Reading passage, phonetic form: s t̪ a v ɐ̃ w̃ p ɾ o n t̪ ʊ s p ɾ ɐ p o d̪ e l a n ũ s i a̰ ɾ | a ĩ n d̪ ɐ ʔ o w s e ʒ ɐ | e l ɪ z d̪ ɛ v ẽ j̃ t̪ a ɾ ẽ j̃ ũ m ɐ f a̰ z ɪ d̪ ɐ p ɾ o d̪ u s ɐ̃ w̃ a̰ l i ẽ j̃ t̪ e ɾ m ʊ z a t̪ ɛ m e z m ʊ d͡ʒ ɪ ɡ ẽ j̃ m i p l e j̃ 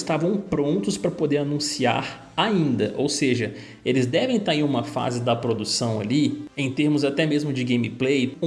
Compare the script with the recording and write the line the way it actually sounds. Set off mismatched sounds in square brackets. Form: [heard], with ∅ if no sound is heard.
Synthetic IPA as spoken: s t̪ a v ɐ̃ w̃ p ɾ [õ] n t̪ ʊ s p ɾ ɐ p o d̪ e [ɾ] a n ũ s i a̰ ɾ | a ĩ n d̪ ɐ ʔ o w s e ʒ ɐ | e l ɪ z d̪ ɛ v ẽ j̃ t̪ a ɾ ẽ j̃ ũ m ɐ f a̰ z ɪ d̪ ɐ p ɾ o d̪ u s ɐ̃ w̃ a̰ l i ẽ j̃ t̪ e ɾ m ʊ z a t̪ ɛ m e z m ʊ d͡ʒ ɪ ɡ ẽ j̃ m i p l e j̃